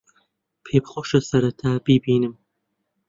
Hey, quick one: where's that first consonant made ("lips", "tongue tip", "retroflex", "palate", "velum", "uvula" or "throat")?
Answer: lips